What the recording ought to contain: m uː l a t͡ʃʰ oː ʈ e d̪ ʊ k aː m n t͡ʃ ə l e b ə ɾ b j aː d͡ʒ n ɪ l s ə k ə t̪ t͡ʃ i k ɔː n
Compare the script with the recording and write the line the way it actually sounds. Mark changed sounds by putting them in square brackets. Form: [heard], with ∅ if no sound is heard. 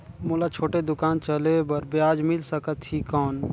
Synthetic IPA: m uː l a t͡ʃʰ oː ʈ e d̪ ʊ k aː [∅] n t͡ʃ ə l e b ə ɾ b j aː d͡ʒ [m] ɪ l s ə k ə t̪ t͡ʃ i k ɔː n